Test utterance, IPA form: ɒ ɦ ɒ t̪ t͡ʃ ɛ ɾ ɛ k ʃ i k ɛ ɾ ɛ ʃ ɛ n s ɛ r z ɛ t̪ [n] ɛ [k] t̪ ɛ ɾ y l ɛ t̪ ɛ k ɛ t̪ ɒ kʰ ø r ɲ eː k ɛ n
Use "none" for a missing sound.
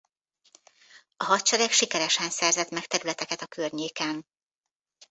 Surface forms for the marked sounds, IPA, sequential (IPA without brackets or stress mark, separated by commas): m, k